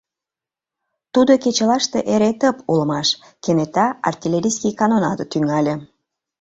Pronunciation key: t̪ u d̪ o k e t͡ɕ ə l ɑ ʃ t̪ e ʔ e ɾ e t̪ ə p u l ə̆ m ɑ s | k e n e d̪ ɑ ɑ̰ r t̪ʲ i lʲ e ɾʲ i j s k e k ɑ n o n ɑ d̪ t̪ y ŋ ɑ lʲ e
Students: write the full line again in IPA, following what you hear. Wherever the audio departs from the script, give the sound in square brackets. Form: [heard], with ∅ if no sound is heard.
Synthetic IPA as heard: t̪ u d̪ o k e t͡ɕ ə l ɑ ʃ t̪ e ʔ e ɾ e t̪ ə p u l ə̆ m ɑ [ʃ] | k e n e [t̪] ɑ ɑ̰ r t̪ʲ i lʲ e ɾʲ i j s k [i] k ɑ n o n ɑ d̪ t̪ y ŋ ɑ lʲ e